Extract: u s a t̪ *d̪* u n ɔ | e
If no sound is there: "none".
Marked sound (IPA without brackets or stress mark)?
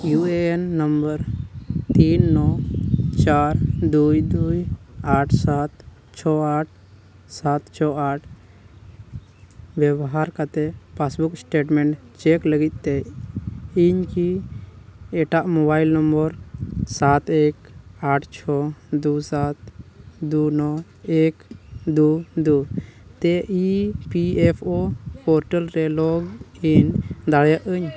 d̪